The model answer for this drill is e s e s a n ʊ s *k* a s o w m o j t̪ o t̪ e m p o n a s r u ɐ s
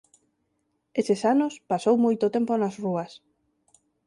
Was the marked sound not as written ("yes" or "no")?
yes